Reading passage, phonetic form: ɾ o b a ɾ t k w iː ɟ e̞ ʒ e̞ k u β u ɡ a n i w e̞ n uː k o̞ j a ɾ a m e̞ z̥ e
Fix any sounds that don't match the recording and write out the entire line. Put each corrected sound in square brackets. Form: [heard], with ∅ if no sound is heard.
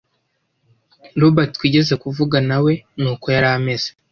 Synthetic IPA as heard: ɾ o b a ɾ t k w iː ɟ e̞ [z] e̞ k u [v] u ɡ a n [a] w e̞ n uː k o̞ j a ɾ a m e̞ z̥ e